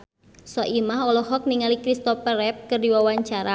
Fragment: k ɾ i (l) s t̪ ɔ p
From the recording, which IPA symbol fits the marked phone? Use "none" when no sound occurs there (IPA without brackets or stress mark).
none